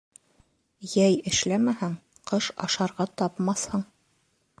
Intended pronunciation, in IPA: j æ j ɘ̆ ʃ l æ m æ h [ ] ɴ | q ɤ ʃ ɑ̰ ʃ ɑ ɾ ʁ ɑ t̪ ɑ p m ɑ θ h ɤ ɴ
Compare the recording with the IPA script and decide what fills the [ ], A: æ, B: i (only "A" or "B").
A